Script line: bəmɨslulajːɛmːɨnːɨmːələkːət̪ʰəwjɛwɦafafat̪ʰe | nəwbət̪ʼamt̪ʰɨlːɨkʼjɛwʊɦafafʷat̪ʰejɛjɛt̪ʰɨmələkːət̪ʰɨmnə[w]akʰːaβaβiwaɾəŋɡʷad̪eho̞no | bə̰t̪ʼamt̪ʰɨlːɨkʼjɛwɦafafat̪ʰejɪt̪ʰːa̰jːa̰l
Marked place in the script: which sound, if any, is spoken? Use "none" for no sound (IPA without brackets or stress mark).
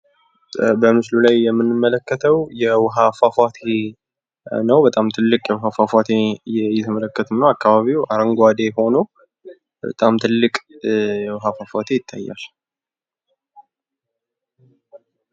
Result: w